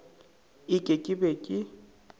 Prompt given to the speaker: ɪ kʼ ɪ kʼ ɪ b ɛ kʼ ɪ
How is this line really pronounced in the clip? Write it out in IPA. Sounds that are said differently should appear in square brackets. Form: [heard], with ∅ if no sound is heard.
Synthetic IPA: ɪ kʼ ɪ kʼ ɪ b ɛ kʼ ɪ